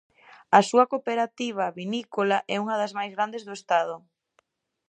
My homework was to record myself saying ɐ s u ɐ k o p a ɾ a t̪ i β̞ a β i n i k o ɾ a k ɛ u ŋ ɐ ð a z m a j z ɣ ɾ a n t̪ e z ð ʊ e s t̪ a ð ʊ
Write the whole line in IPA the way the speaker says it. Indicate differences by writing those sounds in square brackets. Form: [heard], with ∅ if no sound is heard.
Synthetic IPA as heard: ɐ s u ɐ k o p [e] ɾ a t̪ i β̞ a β i n i k o [l] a [ʔ] ɛ u ŋ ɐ ð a z m a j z ɣ ɾ a n [d̪] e z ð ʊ e s t̪ a ð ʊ